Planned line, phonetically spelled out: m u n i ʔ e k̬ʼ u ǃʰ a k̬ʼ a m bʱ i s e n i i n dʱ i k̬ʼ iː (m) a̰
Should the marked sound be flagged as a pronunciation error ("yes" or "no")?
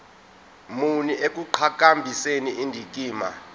no